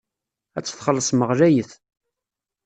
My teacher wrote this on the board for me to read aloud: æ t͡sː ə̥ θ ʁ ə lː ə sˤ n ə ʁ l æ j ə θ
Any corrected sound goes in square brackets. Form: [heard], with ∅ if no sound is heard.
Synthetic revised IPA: æ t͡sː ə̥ θ [χ] ə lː ə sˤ [m] ə ʁ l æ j ə θ